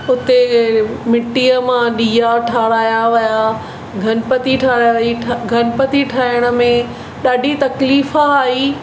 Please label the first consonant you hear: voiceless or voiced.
voiceless